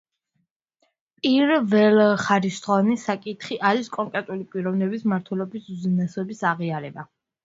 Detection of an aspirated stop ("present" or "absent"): present